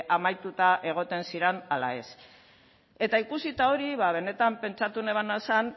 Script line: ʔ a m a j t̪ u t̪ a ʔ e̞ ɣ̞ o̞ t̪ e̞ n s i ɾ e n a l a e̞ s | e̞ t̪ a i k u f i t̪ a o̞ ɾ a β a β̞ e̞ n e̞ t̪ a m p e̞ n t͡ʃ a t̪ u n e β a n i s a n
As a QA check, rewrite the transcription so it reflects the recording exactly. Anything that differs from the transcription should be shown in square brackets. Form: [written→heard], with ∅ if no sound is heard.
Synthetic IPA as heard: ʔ a m a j t̪ u t̪ a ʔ e̞ ɣ̞ o̞ t̪ e̞ n s i ɾ e n a l a e̞ s | e̞ t̪ a i k u [f→s] i t̪ a o̞ ɾ [a→i] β a β̞ e̞ n e̞ t̪ a m p e̞ n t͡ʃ a t̪ u n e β a n [i→a] s a n